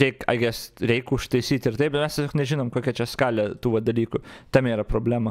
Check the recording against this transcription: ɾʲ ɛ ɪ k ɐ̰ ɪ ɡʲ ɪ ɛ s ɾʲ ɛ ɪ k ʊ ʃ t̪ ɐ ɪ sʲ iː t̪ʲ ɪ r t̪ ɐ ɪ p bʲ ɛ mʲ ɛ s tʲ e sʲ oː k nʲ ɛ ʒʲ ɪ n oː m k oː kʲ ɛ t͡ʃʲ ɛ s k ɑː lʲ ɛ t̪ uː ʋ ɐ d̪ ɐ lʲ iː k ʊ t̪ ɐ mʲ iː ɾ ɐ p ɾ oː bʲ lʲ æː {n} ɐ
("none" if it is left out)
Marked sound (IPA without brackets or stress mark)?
m